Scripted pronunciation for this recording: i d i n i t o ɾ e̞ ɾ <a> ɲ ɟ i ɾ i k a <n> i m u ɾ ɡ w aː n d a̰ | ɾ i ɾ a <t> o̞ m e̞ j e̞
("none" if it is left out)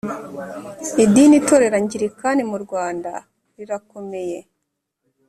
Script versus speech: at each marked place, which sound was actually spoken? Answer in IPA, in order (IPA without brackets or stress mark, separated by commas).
a, n, k